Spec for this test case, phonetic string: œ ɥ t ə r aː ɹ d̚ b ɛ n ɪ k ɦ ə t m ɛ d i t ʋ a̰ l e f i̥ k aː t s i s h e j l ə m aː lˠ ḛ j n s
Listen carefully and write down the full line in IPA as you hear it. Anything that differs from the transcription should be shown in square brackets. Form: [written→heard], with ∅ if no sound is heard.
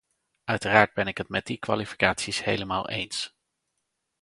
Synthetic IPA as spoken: œ ɥ t ə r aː ɹ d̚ b ɛ n ɪ k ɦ ə t m ɛ d i [t→k] ʋ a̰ l [e→i] f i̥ k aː t s i s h e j l ə m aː lˠ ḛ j n s